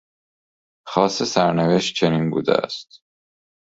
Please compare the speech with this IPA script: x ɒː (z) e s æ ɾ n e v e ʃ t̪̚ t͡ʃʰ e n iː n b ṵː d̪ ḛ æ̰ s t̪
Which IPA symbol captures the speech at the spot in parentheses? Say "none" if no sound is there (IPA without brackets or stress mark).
s